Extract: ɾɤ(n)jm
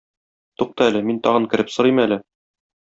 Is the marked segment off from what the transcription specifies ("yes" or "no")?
yes